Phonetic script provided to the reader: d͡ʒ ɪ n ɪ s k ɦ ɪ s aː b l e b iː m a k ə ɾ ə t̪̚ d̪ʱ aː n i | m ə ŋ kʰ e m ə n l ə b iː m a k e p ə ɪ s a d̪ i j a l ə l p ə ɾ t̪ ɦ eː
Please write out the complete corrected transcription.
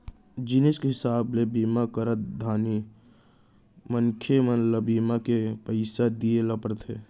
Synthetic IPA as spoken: d͡ʒ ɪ n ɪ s k ɦ ɪ s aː b l e b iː m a k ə ɾ ə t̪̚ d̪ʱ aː n i | m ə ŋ kʰ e m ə n l ə b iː m a k e p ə ɪ s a d̪ i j e l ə p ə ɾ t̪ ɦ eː

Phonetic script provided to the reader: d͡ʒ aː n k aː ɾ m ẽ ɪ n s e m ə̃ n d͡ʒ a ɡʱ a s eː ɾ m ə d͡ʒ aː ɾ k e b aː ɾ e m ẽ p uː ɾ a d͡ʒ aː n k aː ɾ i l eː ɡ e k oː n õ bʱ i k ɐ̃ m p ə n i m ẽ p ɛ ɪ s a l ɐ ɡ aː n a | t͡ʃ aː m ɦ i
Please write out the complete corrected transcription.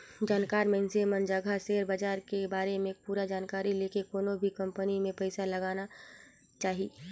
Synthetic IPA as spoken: d͡ʒ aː n k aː ɾ m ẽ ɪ n s e m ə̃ n d͡ʒ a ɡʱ a s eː ɾ b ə d͡ʒ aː ɾ k e b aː ɾ e m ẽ p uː ɾ a d͡ʒ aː n k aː ɾ i l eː k e k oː n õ bʱ i k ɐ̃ m p ə n i m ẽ p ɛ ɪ s a l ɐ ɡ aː n a | t͡ʃ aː ɦ i

